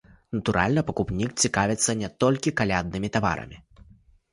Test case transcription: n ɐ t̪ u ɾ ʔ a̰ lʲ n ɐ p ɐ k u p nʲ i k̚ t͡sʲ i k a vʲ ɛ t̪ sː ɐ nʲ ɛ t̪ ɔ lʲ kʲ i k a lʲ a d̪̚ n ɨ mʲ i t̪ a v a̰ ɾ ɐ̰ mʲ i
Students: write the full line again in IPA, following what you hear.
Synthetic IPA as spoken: n ɐ t̪ u ɾ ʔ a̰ lʲ n ɐ p ɐ k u p nʲ i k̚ t͡sʲ i k a vʲ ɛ t̪ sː ɐ nʲ ɛ t̪ ɔ lʲ kʲ i k a lʲ a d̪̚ n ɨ mʲ i t̪ a v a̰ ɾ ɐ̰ mʲ i